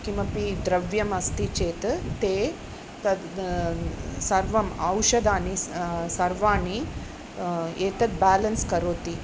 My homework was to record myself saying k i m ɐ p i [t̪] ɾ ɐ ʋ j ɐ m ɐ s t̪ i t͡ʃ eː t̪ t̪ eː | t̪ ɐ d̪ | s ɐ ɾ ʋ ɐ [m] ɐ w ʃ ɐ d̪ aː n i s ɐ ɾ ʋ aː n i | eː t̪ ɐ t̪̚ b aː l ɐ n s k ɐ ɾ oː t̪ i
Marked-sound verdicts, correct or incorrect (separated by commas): incorrect, correct